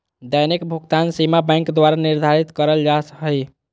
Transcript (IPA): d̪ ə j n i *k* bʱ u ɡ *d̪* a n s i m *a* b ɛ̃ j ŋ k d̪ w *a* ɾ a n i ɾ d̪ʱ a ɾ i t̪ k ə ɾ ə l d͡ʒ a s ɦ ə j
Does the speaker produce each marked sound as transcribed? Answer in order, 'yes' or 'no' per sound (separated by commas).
yes, no, yes, yes